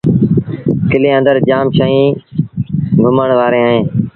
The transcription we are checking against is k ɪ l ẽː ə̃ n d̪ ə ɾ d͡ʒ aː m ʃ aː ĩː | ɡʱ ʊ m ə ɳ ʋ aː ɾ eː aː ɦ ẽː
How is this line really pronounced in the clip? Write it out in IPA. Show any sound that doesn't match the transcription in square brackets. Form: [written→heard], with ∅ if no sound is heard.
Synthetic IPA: k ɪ l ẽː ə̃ n d̪ ə ɾ d͡ʒ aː m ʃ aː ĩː | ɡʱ ʊ m ə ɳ ʋ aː ɾ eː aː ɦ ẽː